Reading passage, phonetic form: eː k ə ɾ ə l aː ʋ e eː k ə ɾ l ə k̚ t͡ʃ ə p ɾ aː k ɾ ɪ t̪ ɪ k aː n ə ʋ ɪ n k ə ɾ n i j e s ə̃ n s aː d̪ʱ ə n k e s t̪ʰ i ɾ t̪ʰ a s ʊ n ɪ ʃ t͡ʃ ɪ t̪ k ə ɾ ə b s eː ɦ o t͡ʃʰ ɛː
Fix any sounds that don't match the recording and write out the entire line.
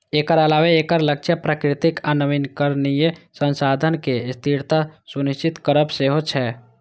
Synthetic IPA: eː k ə ɾ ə l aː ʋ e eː k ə ɾ l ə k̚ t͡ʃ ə p ɾ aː k ɾ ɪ t̪ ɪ k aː n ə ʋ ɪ n k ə ɾ n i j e s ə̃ n s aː d̪ʱ ə n k e s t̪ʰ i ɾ t̪ a s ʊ n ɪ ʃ t͡ʃ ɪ t̪ k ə ɾ ə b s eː ɦ o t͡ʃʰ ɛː

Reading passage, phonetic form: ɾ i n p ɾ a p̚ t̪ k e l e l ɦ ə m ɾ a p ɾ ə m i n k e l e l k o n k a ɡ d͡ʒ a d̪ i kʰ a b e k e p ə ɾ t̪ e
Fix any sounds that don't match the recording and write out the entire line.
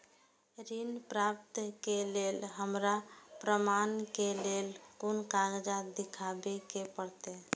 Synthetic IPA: ɾ i n p ɾ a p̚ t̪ k e l e l ɦ ə m ɾ a p ɾ ə m a n k e l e l k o n k a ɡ d͡ʒ a d̪ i kʰ a b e k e p ə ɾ t̪ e

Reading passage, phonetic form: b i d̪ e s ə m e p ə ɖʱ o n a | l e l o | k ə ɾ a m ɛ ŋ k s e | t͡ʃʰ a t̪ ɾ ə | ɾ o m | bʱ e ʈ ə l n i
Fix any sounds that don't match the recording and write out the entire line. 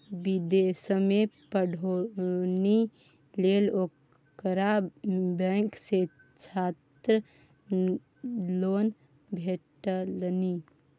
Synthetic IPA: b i d̪ e s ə m e p ə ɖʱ o n i | l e l o | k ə ɾ a b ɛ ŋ k s e | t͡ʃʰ a t̪ ɾ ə | l o n | bʱ e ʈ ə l n i

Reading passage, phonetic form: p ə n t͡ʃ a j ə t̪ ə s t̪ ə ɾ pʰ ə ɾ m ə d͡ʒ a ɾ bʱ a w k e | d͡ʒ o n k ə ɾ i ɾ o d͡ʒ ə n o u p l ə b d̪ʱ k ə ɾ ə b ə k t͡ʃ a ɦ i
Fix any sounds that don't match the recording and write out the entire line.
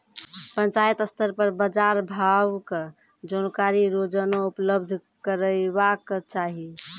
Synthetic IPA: p ə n t͡ʃ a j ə t̪ ə s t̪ ə ɾ p ə ɾ b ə d͡ʒ a ɾ bʱ a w k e | d͡ʒ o n k a ɾ i ɾ o d͡ʒ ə n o u p l ə b d̪ʱ k ə ɾ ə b a k t͡ʃ a ɦ i

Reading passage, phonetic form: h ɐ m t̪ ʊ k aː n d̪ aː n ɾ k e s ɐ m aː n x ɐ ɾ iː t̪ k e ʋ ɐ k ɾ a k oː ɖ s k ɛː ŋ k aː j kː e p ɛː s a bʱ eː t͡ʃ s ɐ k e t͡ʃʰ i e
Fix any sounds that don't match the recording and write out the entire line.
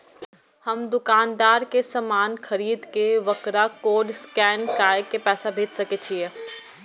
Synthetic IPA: h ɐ m d̪ ʊ k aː n d̪ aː ɾ k e s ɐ m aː n x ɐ ɾ iː d̪ k e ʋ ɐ k ɾ a k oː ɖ s k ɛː n k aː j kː e p ɛː s a bʱ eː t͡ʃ s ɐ k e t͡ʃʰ i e

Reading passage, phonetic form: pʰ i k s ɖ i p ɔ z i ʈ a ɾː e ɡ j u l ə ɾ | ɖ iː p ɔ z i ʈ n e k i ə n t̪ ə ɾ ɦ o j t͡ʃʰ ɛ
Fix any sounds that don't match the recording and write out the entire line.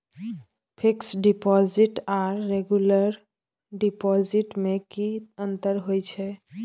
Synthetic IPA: pʰ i k s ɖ i p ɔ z i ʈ a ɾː e ɡ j u l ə ɾ | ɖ i p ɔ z i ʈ m e k i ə n t̪ ə ɾ ɦ o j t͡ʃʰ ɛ

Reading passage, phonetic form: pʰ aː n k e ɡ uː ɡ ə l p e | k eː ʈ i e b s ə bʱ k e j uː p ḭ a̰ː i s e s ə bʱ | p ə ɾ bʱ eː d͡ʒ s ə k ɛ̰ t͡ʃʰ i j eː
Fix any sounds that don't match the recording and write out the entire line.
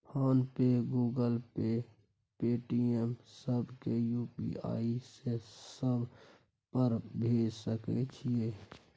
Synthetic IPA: pʰ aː n p e ɡ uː ɡ ə l p e | p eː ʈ i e m s ə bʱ k e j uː p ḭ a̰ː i s e s ə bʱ | p ə ɾ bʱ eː d͡ʒ s ə k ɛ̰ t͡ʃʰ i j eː

